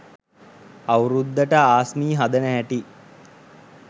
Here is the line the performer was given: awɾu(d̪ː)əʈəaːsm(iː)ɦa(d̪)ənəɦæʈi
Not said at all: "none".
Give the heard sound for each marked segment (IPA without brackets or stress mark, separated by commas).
d̪ː, iː, d̪